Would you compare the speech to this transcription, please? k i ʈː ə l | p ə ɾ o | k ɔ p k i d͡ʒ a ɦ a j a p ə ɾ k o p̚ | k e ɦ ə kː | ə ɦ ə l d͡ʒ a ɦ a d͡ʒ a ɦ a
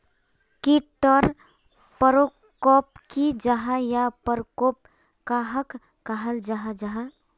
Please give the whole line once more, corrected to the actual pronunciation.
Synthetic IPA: k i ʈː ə ɾ | p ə ɾ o | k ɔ p k i d͡ʒ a ɦ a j a p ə ɾ k o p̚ | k a ɦ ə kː | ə ɦ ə l d͡ʒ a ɦ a d͡ʒ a ɦ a